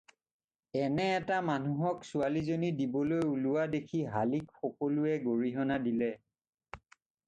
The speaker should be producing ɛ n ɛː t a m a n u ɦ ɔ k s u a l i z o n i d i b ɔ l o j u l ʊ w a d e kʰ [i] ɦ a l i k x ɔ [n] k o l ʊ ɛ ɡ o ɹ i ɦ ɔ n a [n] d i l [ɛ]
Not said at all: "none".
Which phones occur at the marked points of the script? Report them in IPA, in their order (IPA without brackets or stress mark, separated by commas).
i, none, none, ɛ